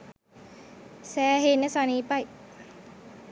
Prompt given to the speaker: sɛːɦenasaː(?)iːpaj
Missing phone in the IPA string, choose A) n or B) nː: A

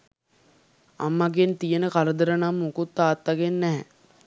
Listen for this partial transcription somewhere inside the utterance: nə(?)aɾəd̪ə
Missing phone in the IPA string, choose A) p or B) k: B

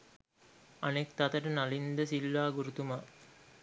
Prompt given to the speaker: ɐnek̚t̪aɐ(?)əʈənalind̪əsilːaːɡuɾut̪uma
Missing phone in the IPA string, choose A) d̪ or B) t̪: B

